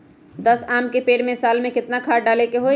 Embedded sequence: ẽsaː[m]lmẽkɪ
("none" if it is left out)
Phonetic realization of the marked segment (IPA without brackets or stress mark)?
none